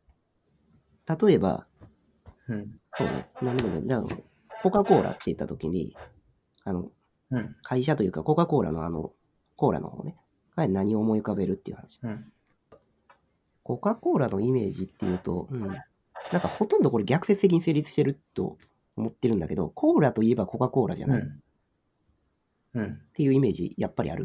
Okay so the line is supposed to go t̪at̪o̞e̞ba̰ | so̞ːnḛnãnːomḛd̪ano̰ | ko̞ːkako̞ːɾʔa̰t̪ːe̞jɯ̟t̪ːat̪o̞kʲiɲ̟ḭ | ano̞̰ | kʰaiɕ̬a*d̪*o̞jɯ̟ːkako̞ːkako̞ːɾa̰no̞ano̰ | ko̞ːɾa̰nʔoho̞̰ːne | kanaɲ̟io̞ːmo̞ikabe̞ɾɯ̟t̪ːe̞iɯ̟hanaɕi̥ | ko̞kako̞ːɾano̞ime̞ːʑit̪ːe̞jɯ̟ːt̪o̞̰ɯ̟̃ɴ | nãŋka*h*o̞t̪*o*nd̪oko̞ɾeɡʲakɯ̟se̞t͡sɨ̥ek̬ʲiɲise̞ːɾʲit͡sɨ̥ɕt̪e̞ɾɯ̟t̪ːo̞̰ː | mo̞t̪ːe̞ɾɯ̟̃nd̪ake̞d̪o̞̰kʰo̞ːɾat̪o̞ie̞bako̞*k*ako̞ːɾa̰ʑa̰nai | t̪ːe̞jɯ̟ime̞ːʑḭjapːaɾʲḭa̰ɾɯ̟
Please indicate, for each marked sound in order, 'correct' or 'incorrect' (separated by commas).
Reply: incorrect, correct, incorrect, correct